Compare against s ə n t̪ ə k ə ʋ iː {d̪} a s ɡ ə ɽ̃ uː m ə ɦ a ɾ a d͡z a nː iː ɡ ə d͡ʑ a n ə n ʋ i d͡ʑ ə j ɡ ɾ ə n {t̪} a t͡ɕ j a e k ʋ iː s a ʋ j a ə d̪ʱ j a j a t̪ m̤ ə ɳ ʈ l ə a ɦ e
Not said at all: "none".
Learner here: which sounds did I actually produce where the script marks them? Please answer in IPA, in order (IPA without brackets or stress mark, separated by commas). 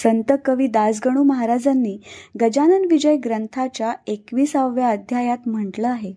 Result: d̪, t̪ʰ